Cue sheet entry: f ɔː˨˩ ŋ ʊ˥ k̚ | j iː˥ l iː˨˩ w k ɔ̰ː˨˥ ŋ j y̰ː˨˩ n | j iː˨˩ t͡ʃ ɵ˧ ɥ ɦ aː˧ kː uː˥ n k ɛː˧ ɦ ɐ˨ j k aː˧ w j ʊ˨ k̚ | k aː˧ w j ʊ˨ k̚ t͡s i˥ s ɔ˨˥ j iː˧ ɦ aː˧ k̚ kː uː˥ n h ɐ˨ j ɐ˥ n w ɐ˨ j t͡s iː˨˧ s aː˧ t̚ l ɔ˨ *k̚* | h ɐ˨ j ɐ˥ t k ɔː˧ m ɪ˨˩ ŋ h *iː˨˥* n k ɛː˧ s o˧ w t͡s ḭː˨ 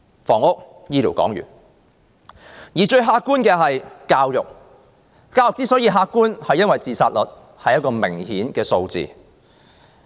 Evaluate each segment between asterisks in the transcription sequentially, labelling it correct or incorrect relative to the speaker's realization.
incorrect: t̚, correct

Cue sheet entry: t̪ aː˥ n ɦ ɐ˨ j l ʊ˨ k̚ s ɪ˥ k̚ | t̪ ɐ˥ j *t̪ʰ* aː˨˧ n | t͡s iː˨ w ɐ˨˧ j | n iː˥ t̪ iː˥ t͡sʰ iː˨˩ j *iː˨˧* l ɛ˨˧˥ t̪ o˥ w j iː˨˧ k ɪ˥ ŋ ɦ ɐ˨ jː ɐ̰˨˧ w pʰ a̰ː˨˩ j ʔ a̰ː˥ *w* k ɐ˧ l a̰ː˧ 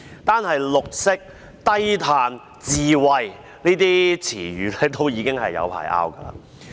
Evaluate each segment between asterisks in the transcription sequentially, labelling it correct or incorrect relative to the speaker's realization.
correct, incorrect: yː˨˧, correct

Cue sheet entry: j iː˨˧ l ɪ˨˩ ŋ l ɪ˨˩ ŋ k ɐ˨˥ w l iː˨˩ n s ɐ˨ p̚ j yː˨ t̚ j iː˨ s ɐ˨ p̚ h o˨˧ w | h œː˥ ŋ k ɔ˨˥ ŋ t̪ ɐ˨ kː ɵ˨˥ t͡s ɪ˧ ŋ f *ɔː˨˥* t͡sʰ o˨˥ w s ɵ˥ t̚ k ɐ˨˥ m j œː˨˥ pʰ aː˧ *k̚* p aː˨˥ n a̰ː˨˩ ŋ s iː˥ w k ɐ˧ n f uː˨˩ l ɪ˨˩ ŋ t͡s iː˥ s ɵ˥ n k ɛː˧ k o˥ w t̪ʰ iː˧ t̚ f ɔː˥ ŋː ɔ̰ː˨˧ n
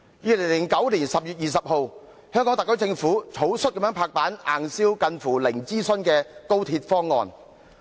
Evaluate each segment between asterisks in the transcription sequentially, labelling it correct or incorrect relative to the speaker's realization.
incorrect: uː˨˥, correct

